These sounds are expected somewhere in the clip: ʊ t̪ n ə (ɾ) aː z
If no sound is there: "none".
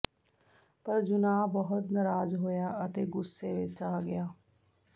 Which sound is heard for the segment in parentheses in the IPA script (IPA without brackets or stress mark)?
ɾ